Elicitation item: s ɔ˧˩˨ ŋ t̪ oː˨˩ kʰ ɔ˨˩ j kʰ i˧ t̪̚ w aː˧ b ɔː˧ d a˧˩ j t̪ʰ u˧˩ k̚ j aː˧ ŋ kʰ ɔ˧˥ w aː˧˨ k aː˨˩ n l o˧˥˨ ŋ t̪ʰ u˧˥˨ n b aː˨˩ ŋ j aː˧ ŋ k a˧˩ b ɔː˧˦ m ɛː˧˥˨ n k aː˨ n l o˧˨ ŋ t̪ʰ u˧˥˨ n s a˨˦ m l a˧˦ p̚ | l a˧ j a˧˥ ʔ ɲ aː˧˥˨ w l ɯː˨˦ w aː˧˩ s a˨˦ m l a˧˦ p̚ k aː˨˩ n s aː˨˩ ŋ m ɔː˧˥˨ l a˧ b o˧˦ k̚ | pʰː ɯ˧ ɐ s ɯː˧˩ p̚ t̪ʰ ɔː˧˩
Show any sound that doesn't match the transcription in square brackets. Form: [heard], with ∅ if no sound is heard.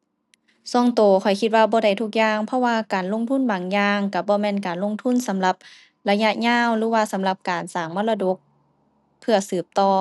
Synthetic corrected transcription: s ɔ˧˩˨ ŋ t̪ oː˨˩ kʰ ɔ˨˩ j kʰ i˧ t̪̚ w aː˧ b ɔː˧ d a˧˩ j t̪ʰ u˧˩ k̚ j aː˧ ŋ [pʰ] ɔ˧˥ w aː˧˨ k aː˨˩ n l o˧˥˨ ŋ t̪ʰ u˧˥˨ n b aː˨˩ ŋ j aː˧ ŋ k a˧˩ b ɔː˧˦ m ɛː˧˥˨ n k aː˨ n l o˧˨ ŋ t̪ʰ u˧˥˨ n s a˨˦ m l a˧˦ p̚ | l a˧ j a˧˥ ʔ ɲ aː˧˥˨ w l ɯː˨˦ w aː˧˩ s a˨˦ m l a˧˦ p̚ k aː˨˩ n s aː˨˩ ŋ m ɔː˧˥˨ l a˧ [d] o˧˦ k̚ | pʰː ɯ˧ ɐ s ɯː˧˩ p̚ [t̪] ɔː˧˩